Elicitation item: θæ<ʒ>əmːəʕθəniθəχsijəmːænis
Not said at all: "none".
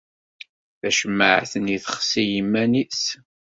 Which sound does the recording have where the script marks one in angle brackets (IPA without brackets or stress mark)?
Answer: ʃ